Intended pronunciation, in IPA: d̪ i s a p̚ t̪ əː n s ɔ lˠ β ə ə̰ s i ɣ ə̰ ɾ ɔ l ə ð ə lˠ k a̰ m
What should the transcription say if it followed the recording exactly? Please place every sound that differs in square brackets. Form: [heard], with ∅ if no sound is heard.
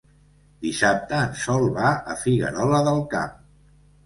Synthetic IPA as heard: d̪ i s a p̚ t̪ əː n s ɔ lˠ β [a] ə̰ [f] i ɣ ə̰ ɾ ɔ l ə ð ə lˠ k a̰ m